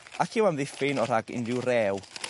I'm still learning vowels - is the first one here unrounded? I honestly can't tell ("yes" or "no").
yes